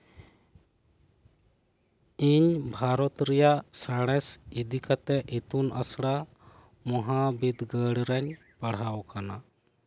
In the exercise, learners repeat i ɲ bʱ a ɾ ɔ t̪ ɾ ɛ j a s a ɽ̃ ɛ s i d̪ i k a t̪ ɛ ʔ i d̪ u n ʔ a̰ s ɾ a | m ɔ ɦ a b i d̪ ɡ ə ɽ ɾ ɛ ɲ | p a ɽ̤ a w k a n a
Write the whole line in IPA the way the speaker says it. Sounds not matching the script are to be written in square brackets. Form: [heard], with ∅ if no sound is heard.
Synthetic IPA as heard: i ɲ bʱ a ɾ ɔ t̪ ɾ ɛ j a s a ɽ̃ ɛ s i d̪ i k a t̪ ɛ ʔ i [t̪] u n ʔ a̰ s [ɽ] a | m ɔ ɦ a b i d̪ ɡ ə ɽ ɾ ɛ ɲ | p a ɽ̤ a w k a n a